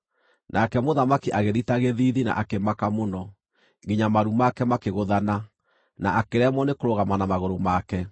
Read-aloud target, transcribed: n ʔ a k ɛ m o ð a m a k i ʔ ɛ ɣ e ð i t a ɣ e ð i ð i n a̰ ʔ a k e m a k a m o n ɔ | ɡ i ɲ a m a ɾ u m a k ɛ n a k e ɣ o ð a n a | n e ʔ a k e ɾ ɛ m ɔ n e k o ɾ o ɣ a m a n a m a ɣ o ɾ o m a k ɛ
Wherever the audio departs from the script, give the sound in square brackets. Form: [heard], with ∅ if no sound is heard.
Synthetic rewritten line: n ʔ a k ɛ m o ð a m a k i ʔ [a] ɣ e ð i t a ɣ e ð i ð i n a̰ ʔ a k e m a k a m o n ɔ | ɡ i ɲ a m a ɾ u m a k ɛ [m] a k e ɣ o ð a n a | n [a] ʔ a k e ɾ ɛ m ɔ n e k o ɾ o ɣ a m a n a m a ɣ o ɾ o m a k ɛ